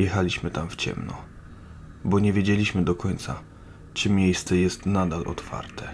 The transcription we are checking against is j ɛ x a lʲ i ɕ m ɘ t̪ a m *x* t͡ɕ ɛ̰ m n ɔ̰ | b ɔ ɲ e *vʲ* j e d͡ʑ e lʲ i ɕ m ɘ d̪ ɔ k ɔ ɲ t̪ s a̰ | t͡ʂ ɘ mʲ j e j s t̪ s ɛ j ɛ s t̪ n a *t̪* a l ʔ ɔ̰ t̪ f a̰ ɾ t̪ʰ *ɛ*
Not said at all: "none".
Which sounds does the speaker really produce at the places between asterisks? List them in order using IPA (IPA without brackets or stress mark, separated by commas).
f, vʲ, d̪, ɛ